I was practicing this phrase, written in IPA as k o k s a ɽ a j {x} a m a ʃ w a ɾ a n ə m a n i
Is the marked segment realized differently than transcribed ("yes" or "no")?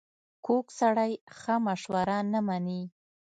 no